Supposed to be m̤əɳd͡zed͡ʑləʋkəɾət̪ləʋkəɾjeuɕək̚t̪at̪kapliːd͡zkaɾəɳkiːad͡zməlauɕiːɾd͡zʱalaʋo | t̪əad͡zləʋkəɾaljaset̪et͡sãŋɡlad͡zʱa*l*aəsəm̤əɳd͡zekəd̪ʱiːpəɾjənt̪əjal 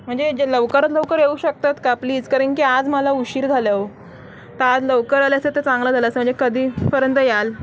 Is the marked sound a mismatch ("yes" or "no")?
no